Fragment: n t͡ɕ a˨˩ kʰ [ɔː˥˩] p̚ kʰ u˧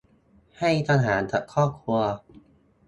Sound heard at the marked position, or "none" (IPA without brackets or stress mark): ɔː˥˩